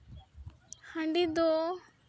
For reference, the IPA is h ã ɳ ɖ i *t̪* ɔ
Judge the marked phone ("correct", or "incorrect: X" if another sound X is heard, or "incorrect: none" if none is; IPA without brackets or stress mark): incorrect: d̪